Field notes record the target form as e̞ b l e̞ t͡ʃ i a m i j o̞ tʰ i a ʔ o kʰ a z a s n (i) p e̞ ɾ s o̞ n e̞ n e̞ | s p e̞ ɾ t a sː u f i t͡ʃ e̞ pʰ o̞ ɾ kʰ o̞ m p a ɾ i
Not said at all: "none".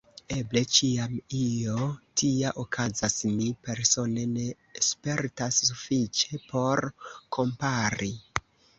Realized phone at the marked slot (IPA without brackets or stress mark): i